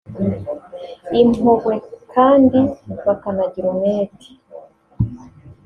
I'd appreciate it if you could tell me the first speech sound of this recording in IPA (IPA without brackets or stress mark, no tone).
i